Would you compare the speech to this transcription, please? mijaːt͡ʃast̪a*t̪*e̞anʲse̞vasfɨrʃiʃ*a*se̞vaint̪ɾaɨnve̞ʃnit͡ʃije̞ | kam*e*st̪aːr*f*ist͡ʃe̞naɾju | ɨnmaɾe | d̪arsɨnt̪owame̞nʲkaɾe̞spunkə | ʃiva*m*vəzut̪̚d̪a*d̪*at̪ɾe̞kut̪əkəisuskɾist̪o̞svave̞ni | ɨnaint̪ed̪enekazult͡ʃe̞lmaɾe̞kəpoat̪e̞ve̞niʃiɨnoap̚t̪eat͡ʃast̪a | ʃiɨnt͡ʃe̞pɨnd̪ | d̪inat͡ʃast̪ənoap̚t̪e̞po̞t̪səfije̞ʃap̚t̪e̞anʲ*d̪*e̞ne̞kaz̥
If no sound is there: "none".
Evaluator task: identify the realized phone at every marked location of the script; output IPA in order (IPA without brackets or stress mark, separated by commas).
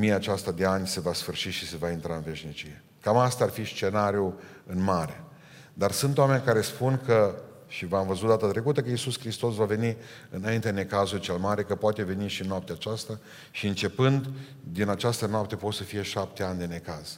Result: d̪, i, a, f, m, t̪, d̪